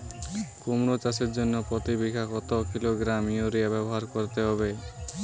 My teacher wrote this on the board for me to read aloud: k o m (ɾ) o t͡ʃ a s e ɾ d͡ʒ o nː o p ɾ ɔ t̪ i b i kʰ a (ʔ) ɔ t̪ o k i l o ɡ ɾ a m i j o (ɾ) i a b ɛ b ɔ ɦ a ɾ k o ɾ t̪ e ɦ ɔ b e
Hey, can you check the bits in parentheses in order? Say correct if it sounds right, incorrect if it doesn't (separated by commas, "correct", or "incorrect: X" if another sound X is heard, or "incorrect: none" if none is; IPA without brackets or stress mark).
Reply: correct, incorrect: k, correct